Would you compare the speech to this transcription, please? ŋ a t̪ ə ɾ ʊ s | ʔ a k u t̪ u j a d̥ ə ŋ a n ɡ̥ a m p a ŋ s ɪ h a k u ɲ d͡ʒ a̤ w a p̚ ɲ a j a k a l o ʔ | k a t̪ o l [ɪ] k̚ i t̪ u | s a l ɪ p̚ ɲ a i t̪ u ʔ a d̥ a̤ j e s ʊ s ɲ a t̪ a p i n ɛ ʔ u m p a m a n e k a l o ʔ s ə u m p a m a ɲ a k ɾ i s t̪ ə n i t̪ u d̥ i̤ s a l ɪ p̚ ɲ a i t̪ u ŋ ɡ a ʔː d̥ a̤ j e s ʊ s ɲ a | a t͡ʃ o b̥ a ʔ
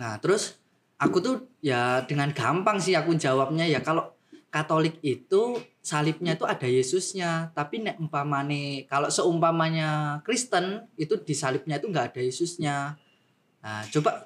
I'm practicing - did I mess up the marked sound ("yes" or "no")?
no